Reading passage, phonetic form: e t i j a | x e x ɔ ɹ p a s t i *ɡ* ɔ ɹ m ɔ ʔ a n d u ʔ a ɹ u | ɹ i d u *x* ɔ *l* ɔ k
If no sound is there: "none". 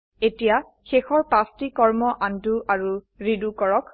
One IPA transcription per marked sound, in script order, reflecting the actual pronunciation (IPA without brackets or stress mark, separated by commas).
k, k, ɹ